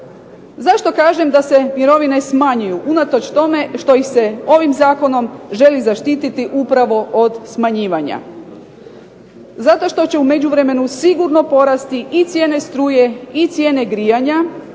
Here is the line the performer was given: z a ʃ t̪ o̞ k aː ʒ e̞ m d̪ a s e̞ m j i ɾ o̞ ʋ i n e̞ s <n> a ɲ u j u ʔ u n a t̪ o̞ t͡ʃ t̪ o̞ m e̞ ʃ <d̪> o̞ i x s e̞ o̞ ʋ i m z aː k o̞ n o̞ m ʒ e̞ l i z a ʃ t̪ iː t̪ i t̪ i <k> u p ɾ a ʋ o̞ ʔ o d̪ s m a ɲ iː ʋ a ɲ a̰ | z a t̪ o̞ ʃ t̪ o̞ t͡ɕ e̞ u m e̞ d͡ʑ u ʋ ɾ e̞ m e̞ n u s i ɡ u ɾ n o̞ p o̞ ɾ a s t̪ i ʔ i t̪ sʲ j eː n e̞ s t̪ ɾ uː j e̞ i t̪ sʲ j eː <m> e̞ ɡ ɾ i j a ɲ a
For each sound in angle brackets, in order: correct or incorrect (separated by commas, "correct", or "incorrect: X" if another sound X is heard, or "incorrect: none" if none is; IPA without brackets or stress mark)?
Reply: incorrect: m, incorrect: t̪, incorrect: ʔ, incorrect: n